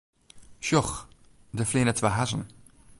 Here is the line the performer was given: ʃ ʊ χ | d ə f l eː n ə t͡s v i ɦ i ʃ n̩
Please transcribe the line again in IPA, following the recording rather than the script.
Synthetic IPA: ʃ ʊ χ | d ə f l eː n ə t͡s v a ɦ a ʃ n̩